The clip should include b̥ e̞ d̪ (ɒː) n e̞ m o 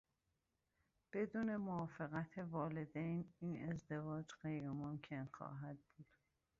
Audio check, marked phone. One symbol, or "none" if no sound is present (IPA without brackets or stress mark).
uː